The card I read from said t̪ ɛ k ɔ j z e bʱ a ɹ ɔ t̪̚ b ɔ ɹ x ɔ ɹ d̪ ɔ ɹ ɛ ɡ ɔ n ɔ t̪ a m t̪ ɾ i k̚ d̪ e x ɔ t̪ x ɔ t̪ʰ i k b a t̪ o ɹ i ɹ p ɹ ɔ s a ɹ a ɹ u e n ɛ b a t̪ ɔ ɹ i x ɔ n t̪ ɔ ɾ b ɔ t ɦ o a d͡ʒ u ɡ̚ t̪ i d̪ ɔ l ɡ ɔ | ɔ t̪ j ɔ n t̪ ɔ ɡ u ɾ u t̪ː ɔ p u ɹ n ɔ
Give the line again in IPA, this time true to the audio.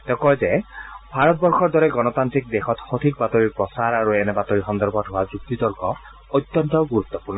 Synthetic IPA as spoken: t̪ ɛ k ɔ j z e bʱ a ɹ ɔ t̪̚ b ɔ ɹ x ɔ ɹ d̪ ɔ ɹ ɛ ɡ ɔ n ɔ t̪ a n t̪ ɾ i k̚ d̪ e x ɔ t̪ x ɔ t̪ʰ i k b a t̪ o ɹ i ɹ p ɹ ɔ s a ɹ a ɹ u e n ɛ b a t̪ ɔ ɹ i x ɔ n d̪ ɔ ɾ b ɔ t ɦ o a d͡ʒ u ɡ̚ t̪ i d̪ ɔ ɹ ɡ ɔ | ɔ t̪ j ɔ n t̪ ɔ ɡ u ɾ u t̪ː ɔ p u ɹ n ɔ